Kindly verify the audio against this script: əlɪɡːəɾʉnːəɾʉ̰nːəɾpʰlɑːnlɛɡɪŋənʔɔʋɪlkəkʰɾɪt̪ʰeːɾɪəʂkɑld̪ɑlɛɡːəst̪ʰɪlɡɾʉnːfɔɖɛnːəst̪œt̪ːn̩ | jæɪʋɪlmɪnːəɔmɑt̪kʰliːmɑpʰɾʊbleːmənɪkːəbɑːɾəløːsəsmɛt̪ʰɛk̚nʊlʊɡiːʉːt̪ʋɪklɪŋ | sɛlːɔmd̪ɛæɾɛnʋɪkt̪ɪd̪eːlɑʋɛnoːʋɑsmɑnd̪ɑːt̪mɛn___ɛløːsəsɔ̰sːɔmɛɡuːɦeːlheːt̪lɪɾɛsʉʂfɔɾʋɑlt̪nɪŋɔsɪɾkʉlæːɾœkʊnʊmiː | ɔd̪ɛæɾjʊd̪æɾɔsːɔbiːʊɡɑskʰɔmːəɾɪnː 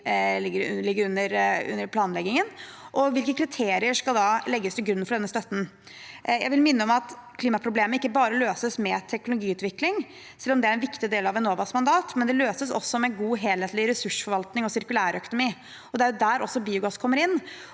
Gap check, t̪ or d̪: d̪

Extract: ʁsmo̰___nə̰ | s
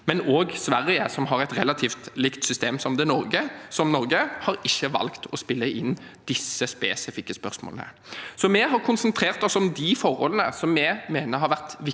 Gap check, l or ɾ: l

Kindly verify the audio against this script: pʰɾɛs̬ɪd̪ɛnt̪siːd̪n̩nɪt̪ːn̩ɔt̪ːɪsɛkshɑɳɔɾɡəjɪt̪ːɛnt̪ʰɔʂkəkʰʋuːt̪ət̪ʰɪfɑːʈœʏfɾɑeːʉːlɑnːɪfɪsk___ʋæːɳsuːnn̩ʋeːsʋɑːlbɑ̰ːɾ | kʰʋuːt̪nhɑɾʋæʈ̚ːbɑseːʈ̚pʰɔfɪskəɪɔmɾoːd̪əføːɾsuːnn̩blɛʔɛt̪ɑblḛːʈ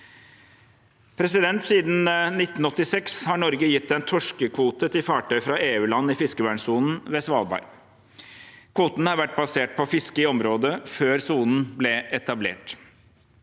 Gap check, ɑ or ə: ə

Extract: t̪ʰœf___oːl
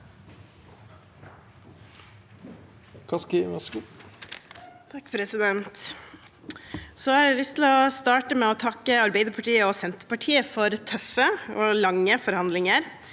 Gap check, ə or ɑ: ə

